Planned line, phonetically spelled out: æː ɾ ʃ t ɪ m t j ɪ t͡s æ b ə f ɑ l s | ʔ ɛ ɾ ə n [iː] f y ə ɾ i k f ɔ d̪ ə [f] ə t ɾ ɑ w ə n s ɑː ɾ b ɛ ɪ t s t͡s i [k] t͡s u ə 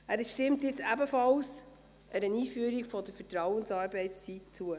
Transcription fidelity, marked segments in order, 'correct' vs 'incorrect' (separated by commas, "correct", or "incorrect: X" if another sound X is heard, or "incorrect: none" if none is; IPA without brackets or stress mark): correct, correct, incorrect: t